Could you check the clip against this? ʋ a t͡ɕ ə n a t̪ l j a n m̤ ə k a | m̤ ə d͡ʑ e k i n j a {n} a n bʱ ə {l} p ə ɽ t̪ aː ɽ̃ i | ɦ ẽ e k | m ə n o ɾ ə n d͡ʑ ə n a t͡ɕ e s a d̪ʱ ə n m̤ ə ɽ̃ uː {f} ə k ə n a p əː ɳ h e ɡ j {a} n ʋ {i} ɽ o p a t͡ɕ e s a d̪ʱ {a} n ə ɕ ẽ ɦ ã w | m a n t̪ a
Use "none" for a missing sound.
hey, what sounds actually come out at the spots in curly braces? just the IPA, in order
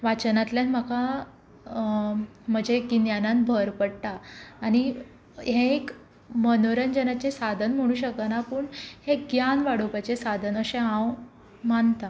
n, ɾ, ɕ, a, a, ə

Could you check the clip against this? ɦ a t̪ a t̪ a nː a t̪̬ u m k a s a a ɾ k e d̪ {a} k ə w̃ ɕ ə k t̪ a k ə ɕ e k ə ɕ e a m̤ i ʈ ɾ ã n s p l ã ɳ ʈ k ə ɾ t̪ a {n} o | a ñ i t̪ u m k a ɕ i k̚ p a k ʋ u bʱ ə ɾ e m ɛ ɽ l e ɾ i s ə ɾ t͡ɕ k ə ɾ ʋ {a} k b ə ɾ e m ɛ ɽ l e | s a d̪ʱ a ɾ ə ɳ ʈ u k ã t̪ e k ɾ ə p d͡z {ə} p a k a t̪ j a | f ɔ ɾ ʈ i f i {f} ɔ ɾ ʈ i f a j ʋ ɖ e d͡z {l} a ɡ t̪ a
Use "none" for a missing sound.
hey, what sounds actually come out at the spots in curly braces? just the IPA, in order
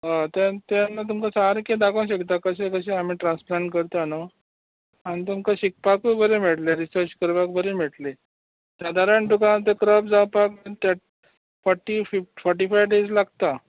a, n, a, a, f, l

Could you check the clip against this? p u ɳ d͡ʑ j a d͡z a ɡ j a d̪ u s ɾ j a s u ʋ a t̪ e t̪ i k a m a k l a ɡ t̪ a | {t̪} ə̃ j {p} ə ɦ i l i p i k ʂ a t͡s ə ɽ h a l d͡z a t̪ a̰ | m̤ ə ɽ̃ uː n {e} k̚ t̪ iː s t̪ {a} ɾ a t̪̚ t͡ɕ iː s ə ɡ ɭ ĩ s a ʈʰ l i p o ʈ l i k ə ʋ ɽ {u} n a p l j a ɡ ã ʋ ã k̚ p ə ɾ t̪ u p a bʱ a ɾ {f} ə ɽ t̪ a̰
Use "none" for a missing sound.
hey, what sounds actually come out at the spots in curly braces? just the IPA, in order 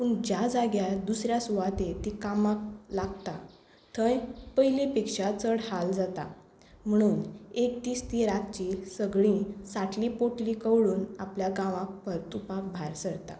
t̪ʰ, p, e, i, uː, s

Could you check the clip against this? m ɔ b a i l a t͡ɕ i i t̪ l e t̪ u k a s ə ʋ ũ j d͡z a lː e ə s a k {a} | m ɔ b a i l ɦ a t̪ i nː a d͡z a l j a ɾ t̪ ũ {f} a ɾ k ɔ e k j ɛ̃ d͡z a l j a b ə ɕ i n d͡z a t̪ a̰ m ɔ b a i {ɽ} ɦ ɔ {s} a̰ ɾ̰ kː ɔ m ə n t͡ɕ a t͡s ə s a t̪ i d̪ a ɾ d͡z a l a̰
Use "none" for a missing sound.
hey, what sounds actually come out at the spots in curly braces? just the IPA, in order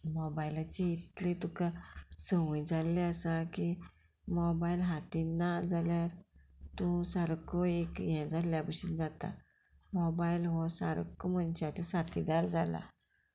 i, s, l, s

